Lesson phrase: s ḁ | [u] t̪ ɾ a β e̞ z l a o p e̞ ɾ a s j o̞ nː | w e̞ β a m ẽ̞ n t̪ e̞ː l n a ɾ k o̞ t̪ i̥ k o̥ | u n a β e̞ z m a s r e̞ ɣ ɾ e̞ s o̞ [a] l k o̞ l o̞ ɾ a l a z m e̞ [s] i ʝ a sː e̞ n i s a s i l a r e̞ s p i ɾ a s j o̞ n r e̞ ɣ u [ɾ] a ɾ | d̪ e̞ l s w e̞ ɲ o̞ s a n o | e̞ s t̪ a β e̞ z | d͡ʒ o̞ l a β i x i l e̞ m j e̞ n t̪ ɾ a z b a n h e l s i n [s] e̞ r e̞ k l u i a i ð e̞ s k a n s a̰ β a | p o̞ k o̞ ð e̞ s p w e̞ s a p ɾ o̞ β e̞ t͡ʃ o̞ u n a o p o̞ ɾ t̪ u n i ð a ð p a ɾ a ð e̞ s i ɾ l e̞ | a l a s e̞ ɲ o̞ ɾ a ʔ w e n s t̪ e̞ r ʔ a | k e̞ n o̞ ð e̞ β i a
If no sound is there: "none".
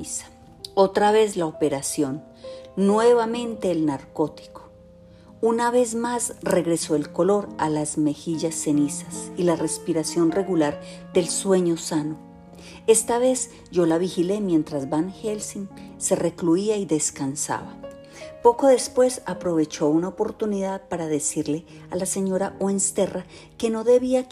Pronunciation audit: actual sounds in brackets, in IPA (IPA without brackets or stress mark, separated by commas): o, e, x, l, s